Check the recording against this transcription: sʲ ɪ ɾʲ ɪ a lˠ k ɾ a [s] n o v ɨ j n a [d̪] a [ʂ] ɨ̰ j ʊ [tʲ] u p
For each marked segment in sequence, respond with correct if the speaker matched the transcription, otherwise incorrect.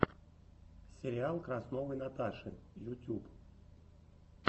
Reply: correct, incorrect, correct, correct

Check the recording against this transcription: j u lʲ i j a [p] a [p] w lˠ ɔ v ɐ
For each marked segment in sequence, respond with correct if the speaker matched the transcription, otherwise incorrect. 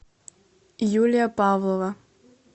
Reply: correct, incorrect

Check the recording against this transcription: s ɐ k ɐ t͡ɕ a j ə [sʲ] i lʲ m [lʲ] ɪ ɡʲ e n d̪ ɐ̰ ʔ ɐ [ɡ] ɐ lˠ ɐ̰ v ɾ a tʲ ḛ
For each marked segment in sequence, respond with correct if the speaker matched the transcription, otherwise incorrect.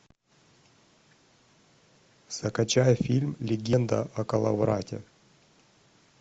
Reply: incorrect, correct, incorrect

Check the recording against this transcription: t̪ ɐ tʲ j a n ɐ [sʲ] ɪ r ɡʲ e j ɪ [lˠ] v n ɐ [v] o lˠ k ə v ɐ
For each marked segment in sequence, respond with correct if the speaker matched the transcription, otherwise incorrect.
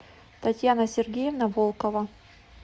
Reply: correct, incorrect, correct

